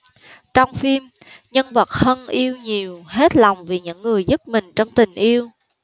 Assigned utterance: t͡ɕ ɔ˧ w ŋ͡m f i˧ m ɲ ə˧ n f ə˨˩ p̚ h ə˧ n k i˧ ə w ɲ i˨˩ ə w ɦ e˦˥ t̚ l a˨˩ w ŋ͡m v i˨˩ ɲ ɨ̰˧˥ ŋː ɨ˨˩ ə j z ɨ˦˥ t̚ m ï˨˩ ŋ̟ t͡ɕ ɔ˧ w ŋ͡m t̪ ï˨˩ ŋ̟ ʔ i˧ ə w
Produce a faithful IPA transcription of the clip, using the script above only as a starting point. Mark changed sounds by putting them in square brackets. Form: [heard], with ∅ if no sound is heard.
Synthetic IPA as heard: t͡ɕ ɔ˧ w ŋ͡m f i˧ m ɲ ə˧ n [v] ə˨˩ [t̚] h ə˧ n [ʔ] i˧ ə w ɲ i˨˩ ə w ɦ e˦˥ t̚ l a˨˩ w ŋ͡m v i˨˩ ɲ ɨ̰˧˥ ŋː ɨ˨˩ ə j z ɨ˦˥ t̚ m ï˨˩ ŋ̟ t͡ɕ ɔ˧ w ŋ͡m t̪ ï˨˩ ŋ̟ ʔ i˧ ə w